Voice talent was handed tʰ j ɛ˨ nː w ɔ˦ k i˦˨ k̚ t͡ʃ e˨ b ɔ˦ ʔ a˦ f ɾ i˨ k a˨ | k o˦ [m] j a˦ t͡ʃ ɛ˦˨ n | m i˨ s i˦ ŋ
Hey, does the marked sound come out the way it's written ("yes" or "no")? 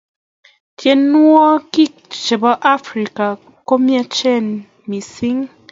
yes